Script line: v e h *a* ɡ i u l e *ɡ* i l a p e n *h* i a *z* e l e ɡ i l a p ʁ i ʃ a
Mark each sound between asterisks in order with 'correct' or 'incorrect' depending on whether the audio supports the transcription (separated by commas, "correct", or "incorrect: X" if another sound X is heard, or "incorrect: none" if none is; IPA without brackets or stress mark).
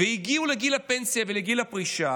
incorrect: i, correct, incorrect: s, incorrect: v